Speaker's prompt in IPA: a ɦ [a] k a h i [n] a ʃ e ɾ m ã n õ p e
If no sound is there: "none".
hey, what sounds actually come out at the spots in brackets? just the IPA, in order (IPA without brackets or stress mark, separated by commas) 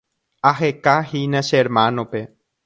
e, n